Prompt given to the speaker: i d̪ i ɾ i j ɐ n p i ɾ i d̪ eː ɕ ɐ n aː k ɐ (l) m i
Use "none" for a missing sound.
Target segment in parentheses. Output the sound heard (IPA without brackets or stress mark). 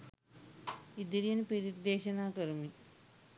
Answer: ɾ